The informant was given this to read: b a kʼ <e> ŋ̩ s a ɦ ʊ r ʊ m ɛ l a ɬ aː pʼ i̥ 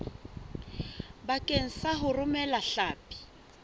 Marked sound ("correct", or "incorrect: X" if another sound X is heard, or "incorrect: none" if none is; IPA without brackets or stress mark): correct